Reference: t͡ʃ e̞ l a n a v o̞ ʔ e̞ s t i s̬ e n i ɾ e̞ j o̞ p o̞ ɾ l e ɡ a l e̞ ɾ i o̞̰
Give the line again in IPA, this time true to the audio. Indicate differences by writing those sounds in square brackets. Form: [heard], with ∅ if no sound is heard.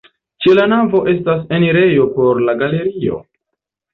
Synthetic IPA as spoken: t͡ʃ e̞ l a n a v o̞ ʔ e̞ s t [a] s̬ e n i ɾ e̞ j o̞ p o̞ ɾ l [a] ɡ a l e̞ ɾ i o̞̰